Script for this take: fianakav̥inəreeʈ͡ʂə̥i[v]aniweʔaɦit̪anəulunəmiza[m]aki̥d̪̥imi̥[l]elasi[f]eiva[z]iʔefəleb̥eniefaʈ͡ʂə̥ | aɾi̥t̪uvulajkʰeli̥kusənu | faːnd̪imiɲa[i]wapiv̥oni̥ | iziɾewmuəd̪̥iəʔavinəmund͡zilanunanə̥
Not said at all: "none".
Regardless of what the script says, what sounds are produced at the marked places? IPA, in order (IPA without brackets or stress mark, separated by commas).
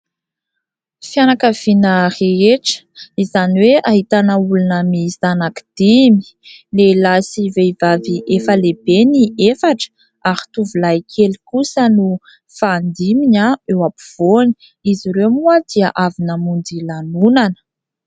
z, n, l, v, v, e